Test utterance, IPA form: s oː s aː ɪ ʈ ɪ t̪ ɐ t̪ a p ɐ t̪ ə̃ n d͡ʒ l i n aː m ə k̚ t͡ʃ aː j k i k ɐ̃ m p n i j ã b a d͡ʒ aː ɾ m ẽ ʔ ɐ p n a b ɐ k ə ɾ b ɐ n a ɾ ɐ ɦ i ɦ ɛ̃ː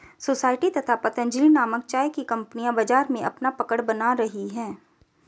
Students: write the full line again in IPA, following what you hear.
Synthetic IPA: s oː s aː ɪ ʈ i t̪ ɐ t̪ʰ a p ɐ t̪ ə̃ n d͡ʒ l i n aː m ə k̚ t͡ʃ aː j k i k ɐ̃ m p n i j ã b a d͡ʒ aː ɾ m ẽ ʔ ɐ p n a p ɐ k ə ɽ b ɐ n a ɾ ɐ ɦ i ɦ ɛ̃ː

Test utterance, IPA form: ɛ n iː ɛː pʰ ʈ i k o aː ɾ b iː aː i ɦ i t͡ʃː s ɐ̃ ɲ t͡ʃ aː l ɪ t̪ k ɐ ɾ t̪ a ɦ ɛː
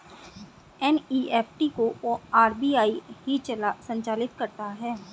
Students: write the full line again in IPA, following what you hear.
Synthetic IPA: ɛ n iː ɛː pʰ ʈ i k o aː ɾ b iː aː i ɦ i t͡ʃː s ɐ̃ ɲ t͡ʃ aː l ɪ t̪ k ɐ ɾ t̪ a ɦ ɛː

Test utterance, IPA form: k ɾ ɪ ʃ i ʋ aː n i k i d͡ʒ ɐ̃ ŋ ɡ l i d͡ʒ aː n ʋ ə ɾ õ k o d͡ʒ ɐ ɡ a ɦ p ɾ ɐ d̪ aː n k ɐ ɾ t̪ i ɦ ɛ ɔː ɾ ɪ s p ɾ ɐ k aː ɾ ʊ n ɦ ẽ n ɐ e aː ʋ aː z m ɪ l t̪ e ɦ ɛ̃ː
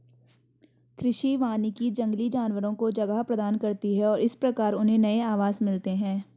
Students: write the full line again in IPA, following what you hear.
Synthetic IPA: k ɾ ɪ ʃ i ʋ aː n i k i d͡ʒ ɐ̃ ŋ ɡ l i d͡ʒ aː n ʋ ə ɾ õ k o d͡ʒ ɐ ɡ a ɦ p ɾ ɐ d̪ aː n k ɐ ɾ t̪ i ɦ ɛ ɔː ɾ ɪ s p ɾ ɐ k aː ɾ ʊ n ɦ ẽ n ɐ e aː ʋ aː z m ɪ l t̪ e ɦ ɛ̃ː

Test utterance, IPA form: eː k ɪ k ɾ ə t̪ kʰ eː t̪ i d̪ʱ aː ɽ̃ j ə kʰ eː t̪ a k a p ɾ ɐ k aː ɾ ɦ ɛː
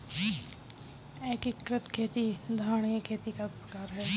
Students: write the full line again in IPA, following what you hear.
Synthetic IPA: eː k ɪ k ɾ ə t̪ kʰ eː t̪ i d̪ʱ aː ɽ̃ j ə kʰ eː t̪ i k a p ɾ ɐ k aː ɾ ɦ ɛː

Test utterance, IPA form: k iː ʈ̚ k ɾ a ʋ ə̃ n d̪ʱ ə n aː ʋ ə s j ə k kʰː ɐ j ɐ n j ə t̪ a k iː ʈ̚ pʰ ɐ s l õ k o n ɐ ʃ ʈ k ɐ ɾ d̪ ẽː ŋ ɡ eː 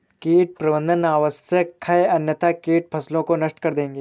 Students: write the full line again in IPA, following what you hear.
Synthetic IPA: k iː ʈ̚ p ɾ ɐ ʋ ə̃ n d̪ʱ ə n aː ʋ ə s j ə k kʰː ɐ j ɐ n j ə t̪ a k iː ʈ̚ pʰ ɐ s l õ k o n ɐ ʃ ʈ k ɐ ɾ d̪ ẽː ŋ ɡ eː

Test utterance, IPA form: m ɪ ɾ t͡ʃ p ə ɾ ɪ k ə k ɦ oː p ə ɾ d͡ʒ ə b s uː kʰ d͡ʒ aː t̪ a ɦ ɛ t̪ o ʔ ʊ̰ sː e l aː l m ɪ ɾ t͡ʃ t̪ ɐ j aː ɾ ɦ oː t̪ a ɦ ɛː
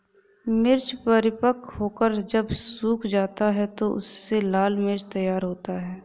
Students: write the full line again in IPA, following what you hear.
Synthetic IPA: m ɪ ɾ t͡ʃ p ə ɾ ɪ p ə k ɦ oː k ə ɾ d͡ʒ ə b s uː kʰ d͡ʒ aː t̪ a ɦ ɛ t̪ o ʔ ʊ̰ sː e l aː l m ɪ ɾ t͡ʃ t̪ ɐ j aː ɾ ɦ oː t̪ a ɦ ɛː

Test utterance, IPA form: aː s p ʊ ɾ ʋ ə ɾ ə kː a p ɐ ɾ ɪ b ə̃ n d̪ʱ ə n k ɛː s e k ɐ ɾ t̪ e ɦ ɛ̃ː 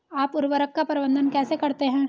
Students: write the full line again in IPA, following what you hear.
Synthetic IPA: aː p ʊ ɾ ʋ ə ɾ ə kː a p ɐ ɾ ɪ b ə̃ n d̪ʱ ə n k ɛː s e k ɐ ɾ t̪ e ɦ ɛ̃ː

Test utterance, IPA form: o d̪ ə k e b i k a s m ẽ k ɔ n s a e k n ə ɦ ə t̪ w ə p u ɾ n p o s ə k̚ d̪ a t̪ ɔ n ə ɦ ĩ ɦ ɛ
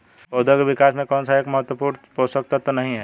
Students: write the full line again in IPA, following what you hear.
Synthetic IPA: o d̪ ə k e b i k a s m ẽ k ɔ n s a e k m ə ɦ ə t̪ w ə p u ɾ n p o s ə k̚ t̪ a t̪ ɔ n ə ɦ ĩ ɦ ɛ

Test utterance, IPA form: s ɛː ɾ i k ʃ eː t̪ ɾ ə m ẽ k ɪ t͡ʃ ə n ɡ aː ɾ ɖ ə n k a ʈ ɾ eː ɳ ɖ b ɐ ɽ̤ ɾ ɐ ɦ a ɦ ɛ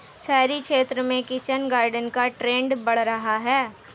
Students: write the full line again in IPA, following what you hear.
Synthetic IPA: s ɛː ɾ i k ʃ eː t̪ ɾ ə m ẽ k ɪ t͡ʃ ə n ɡ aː ɾ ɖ ə n k a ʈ ɾ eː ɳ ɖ b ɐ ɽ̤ ɾ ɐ ɦ a ɦ ɛː

